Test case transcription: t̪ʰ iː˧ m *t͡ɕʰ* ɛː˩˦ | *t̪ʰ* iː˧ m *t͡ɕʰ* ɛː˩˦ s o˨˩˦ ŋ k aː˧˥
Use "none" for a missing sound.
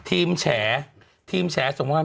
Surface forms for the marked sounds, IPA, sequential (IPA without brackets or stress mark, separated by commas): t͡ɕʰ, t̪ʰ, t͡ɕʰ